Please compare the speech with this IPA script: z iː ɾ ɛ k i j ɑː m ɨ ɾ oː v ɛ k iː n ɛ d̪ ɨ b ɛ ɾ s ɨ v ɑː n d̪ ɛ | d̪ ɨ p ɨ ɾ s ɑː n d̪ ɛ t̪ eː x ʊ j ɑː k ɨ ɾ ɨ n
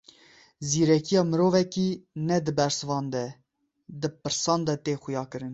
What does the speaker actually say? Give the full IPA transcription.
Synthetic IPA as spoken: z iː ɾ ɛ k i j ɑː m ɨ ɾ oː v ɛ k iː n ɛ d̪ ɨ b ɛ ɾ s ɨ v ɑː n d̪ ɛ | d̪ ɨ p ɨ ɾ s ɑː n d̪ ɛ t̪ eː x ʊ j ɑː k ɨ ɾ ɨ n